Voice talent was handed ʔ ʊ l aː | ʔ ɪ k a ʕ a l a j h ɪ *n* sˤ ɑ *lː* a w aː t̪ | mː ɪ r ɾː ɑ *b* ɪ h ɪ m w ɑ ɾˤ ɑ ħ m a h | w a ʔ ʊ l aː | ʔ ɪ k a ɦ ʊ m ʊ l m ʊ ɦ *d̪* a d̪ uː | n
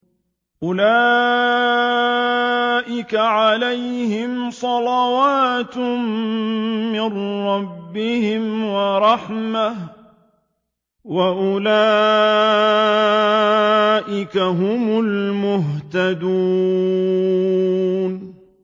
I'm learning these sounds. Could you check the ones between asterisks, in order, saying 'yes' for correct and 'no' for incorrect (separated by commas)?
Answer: no, no, no, no